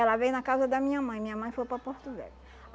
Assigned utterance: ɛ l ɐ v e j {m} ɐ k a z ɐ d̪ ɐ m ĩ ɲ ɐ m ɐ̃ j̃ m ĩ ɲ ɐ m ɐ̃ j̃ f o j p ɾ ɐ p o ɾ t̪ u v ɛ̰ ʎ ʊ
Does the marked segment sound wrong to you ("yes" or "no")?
yes